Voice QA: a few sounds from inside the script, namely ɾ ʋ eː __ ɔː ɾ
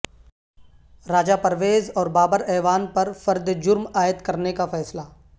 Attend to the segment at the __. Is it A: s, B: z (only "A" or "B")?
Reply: B